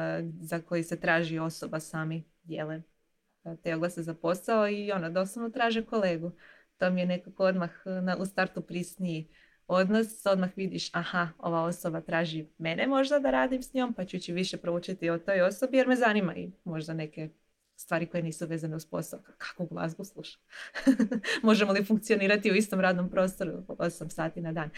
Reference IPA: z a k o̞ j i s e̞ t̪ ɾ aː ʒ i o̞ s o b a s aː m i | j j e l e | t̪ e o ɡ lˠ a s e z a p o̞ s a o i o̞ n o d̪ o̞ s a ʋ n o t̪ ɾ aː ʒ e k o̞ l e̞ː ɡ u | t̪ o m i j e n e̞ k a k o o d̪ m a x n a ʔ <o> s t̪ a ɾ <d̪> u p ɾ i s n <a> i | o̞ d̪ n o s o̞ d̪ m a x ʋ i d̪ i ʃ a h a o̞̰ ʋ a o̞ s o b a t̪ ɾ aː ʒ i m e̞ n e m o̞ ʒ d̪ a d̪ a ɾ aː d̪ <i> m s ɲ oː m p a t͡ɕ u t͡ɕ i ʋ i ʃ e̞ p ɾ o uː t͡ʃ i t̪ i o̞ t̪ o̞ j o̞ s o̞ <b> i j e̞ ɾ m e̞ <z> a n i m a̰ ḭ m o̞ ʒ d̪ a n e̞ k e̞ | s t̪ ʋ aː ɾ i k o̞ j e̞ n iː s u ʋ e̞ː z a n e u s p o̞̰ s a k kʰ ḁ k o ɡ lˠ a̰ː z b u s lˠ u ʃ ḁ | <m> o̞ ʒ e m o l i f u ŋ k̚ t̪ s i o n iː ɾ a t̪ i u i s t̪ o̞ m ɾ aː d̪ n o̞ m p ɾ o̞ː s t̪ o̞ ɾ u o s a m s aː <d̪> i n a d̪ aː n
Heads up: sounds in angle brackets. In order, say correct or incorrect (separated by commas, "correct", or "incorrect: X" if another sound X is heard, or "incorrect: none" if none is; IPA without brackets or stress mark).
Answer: incorrect: u, incorrect: t̪, incorrect: i, correct, correct, correct, correct, incorrect: t̪